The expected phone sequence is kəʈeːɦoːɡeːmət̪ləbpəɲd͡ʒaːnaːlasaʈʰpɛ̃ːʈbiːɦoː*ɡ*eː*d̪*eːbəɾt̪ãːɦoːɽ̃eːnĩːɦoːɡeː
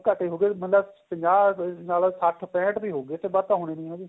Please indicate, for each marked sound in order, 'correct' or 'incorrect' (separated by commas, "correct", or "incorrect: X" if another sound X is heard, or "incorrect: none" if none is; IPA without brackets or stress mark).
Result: correct, incorrect: t̪